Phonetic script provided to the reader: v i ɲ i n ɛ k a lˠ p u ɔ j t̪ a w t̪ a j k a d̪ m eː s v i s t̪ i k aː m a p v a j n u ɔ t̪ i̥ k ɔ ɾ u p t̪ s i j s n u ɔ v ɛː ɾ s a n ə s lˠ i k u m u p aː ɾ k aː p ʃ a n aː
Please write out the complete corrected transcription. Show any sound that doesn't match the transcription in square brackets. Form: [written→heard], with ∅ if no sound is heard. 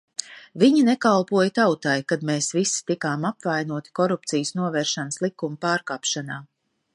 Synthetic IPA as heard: v i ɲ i n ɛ k a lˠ p u ɔ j t̪ a w t̪ a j k a d̪ m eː s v i s t̪ i k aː m a p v a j n u ɔ t̪ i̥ k ɔ ɾ u p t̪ s i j s n u ɔ v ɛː ɾ [s→ʃ] a n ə s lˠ i k u m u p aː ɾ k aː p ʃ a n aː

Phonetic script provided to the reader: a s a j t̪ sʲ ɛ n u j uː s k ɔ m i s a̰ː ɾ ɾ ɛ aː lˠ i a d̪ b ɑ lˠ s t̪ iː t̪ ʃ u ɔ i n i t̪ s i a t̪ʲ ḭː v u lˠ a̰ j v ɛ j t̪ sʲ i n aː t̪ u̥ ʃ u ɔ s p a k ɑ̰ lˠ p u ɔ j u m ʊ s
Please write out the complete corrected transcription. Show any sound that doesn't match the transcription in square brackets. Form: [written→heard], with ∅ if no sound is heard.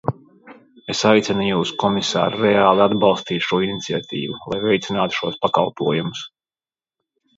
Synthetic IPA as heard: [a→e] s a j t̪ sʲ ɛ n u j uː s k ɔ m i s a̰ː ɾ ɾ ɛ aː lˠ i a d̪ b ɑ lˠ s t̪ iː t̪ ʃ u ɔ i n i t̪ s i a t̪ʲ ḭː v u lˠ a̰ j v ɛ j t̪ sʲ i n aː t̪ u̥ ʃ u ɔ s p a k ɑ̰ lˠ p u ɔ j u m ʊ s

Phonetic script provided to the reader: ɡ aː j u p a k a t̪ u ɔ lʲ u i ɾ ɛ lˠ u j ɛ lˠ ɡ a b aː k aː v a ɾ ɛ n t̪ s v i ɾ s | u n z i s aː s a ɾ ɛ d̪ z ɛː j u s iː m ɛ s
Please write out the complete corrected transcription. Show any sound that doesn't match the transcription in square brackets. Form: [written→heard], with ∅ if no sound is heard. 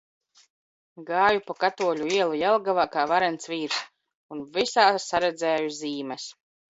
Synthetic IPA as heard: ɡ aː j u p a k a t̪ u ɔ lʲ u i [ɾ→∅] ɛ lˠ u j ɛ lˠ ɡ a [b→v] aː k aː v a ɾ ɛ n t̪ s v [i→iː] ɾ s | u n [z→v] i s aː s a ɾ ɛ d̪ z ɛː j u [s→z] iː m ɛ s

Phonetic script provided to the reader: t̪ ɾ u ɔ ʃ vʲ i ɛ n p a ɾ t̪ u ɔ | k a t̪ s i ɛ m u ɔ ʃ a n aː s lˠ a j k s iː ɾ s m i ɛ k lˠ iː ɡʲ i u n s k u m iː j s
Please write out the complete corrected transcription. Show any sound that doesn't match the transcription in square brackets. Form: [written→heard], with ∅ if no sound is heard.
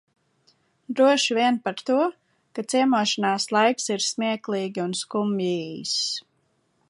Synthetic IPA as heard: [t̪→d̪] ɾ u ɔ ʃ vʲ i ɛ n p a ɾ t̪ u ɔ | k a t̪ s i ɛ m u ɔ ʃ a n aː s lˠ a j k s [iː→i] ɾ s m i ɛ k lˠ iː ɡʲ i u n s k u m iː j s

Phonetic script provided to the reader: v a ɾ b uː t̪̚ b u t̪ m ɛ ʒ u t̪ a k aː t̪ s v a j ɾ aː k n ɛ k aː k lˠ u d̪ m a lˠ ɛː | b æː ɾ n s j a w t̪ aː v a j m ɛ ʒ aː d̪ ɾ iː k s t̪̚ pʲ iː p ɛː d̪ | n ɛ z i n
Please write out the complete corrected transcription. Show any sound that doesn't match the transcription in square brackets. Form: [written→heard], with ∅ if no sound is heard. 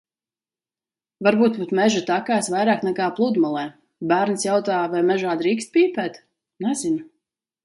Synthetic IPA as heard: v a ɾ b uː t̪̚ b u t̪ m ɛ ʒ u t̪ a k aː [t̪→∅] s v a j ɾ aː k n ɛ k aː [k→p] lˠ u d̪ m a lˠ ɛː | b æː ɾ n s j a w t̪ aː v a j m ɛ ʒ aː d̪ ɾ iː k s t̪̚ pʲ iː p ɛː [d̪→t̪] | n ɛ z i n

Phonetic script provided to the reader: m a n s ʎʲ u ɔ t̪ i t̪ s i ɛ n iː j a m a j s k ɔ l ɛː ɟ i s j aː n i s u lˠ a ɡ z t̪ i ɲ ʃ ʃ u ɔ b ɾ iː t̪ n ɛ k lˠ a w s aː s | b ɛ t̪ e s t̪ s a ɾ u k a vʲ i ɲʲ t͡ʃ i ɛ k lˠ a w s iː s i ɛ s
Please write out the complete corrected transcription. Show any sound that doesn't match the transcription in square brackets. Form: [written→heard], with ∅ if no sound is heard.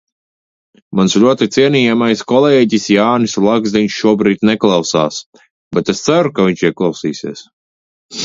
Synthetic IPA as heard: m a n s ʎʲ u ɔ t̪ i t̪ s i ɛ n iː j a m a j s k ɔ l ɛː ɟ i s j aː n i s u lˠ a ɡ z [t̪→d̪] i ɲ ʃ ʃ u ɔ b ɾ iː t̪ n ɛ k lˠ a w s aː s | b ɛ t̪ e s t̪ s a ɾ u k a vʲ i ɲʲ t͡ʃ i ɛ k lˠ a w s iː s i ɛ s

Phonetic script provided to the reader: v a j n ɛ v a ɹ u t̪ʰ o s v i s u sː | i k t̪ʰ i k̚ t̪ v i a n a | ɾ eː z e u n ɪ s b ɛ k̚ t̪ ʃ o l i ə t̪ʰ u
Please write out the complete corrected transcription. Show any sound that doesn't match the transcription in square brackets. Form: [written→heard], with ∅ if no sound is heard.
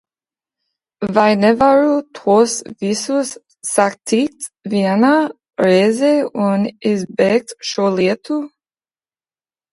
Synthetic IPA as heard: v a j n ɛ v a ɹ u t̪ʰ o s v i s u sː | [i→a] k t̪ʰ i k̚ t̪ v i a n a | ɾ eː z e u n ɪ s b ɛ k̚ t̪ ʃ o l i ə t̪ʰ u

